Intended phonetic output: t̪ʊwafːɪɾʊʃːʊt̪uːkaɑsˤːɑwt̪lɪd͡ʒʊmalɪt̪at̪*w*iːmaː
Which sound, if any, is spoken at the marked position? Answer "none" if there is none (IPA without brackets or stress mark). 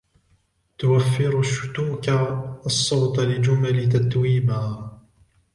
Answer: w